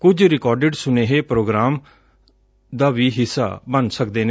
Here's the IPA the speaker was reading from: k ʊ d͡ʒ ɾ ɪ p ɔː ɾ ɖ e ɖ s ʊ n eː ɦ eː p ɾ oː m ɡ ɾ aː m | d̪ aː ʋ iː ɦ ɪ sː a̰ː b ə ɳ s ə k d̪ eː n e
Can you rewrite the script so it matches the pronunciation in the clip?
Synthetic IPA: k ʊ d͡ʒ ɾ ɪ k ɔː ɾ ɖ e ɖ s ʊ n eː ɦ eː p ɾ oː ɡ ɾ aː m | d̪ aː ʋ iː ɦ ɪ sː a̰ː b ə n s ə k d̪ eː n e